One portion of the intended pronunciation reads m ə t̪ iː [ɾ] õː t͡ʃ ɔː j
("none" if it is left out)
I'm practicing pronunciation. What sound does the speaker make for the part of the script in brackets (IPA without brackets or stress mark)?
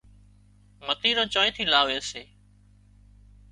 ɾ